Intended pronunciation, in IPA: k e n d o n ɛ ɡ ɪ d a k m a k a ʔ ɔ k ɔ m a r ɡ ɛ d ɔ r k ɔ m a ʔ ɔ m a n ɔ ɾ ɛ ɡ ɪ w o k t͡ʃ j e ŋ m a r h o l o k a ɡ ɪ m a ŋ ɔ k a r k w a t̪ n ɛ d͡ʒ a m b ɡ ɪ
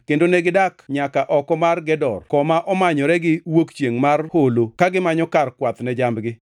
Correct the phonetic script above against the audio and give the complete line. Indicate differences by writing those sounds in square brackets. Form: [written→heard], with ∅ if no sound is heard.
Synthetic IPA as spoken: k e n d o n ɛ ɡ ɪ d a k [m→ɲ] a k a ʔ ɔ k ɔ m a r ɡ ɛ d ɔ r k ɔ m a ʔ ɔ m a [n→ɲ] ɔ ɾ ɛ ɡ ɪ w o k t͡ʃ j e ŋ m a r h o l o k a ɡ ɪ m a [ŋ→ɲ] ɔ k a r k w a t̪ n ɛ d͡ʒ a m b ɡ ɪ

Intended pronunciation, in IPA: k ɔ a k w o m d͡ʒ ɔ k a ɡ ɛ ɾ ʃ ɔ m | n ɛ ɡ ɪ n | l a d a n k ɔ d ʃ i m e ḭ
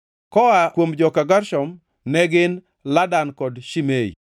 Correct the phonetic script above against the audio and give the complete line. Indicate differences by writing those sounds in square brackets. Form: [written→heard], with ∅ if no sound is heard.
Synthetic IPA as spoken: k ɔ a k w o m d͡ʒ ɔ k a ɡ [ɛ→a] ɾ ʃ ɔ m | n ɛ ɡ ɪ n | l a d a n k ɔ d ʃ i m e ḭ

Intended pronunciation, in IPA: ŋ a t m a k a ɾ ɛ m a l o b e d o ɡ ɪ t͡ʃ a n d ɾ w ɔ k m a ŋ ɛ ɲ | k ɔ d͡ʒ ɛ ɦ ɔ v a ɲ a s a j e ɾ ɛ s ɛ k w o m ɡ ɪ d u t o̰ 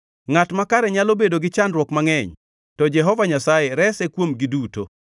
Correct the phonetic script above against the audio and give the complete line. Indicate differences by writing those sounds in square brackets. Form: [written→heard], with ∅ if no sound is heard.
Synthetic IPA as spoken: ŋ a t m a k a ɾ ɛ [m→ɲ] a l o b e d o ɡ ɪ t͡ʃ a n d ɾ w ɔ k m a ŋ ɛ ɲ | [k→t] ɔ d͡ʒ ɛ ɦ ɔ v a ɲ a s a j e ɾ ɛ s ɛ k w o m ɡ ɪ d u t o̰

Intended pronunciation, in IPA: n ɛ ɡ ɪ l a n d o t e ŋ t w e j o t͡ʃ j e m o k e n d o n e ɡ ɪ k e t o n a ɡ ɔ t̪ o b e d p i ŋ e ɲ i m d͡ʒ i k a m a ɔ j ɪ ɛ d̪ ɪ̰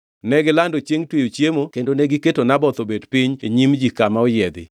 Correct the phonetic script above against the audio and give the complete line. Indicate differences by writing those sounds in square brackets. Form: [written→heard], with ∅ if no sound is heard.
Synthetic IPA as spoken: n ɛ ɡ ɪ l a n d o [t→t͡ʃ] e ŋ t w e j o t͡ʃ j e m o k e n d o n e ɡ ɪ k e t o n a [ɡ→b] ɔ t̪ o b e d p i [ŋ→ɲ] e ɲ i m d͡ʒ i k a m a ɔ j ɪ ɛ d̪ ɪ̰

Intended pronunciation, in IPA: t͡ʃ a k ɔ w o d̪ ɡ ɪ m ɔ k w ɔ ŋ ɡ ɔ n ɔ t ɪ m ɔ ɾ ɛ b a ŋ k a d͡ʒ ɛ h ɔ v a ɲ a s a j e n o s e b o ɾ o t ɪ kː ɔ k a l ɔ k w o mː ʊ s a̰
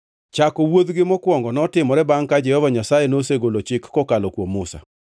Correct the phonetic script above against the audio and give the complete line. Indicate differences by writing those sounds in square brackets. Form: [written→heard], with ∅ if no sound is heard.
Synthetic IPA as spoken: t͡ʃ a k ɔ w o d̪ ɡ ɪ m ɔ k w ɔ ŋ ɡ ɔ n ɔ t ɪ m ɔ ɾ ɛ b a ŋ k a d͡ʒ ɛ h ɔ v a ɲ a s a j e n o s e [b→ɡ] o [ɾ→l] o [t→t͡ʃ] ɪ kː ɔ k a l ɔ k w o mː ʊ s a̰

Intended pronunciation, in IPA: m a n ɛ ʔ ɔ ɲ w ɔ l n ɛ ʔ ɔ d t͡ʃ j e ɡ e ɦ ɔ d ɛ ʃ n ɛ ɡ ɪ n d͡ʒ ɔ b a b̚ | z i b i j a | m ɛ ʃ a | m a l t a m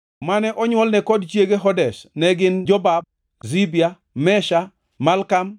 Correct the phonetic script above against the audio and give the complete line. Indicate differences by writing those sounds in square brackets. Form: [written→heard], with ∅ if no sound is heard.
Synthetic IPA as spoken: m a n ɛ ʔ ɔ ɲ w ɔ l n ɛ [ʔ→k] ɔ d t͡ʃ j e ɡ e ɦ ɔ d ɛ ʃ n ɛ ɡ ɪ n d͡ʒ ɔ b a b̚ | z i b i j a | m ɛ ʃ a | m a l [t→k] a m

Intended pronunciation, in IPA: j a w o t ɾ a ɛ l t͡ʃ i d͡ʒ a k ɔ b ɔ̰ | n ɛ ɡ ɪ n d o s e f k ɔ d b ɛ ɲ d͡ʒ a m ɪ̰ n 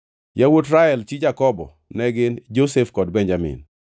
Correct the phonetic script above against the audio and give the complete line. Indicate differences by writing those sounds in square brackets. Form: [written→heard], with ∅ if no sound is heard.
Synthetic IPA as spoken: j a w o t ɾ a ɛ l t͡ʃ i d͡ʒ a k ɔ b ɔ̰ | n ɛ ɡ ɪ n [d→d͡ʒ] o s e f k ɔ d b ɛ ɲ d͡ʒ a m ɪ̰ n

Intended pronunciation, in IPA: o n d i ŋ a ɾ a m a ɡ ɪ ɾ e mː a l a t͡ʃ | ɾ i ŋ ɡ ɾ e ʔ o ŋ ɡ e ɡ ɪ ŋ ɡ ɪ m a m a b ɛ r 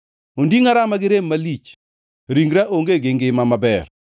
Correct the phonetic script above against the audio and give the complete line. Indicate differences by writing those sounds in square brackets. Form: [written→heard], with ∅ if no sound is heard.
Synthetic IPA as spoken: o n d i ŋ a ɾ a m a ɡ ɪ ɾ e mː a l [a→i] t͡ʃ | ɾ i ŋ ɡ ɾ [e→a] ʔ o ŋ ɡ e ɡ ɪ ŋ ɡ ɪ m a m a b ɛ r

